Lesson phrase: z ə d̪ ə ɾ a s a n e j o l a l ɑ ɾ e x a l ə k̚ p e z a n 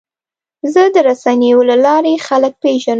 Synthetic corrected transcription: z ə d̪ ə ɾ a s a n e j o l a l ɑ ɾ e x a l ə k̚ p e ʒ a n